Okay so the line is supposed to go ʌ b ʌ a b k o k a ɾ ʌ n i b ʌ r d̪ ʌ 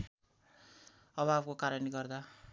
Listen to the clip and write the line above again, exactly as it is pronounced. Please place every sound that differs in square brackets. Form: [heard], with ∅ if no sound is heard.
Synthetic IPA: ʌ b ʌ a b k o k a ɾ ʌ n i [ɡ] ʌ r d̪ [a]

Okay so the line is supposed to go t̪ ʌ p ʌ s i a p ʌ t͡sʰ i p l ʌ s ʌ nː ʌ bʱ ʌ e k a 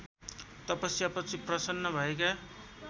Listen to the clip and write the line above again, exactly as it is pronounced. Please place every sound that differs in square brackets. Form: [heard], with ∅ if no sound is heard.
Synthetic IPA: t̪ ʌ p ʌ s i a p ʌ t͡sʰ i p [r] ʌ s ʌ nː ʌ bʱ ʌ e k a

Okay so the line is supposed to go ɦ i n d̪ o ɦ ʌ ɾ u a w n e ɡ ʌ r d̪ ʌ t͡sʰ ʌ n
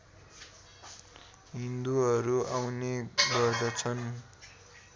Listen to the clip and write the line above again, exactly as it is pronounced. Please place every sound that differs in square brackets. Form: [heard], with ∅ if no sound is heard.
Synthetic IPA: ɦ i n d̪ [u] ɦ ʌ ɾ u a w n e ɡ ʌ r d̪ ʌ t͡sʰ ʌ n

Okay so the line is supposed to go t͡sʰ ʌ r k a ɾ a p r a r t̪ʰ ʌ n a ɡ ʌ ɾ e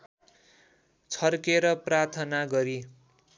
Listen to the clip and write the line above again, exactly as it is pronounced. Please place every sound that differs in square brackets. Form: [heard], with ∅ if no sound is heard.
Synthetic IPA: t͡sʰ ʌ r k [e] ɾ [ʌ] p r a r t̪ʰ ʌ n a ɡ ʌ ɾ [i]

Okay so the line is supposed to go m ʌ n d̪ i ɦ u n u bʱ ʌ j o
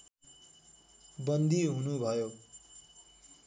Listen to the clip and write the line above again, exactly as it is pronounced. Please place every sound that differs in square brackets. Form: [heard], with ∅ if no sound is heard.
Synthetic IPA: [b] ʌ n d̪ i ɦ u n u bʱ ʌ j o

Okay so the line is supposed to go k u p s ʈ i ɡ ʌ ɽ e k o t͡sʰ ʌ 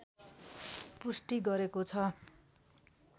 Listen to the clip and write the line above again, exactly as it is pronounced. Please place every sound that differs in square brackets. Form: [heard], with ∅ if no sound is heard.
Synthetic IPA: [p] u [∅] s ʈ i ɡ ʌ [ɾ] e k o t͡sʰ ʌ

